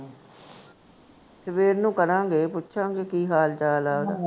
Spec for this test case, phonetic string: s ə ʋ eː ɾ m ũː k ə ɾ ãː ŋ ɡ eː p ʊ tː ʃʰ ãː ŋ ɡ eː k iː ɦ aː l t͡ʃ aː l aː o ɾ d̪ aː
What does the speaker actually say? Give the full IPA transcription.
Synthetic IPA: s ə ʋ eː ɾ n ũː k ə ɾ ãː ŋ ɡ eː p ʊ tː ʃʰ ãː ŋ ɡ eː k iː ɦ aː l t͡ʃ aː l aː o d̪ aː